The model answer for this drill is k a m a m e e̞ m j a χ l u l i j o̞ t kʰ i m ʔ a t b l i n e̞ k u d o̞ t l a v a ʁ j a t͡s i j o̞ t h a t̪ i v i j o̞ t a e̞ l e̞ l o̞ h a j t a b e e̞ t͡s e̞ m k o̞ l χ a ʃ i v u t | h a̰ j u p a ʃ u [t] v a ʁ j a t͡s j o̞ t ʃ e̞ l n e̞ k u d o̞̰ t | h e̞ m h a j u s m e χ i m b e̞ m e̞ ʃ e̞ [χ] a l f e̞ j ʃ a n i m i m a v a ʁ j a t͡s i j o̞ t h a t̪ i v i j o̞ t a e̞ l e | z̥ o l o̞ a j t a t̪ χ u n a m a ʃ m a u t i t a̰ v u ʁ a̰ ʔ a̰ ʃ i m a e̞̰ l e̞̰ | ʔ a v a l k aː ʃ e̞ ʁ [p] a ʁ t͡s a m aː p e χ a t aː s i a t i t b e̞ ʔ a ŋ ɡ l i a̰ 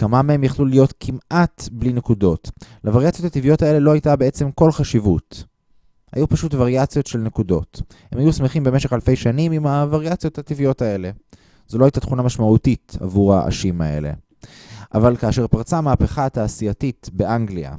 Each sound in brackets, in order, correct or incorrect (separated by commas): correct, correct, correct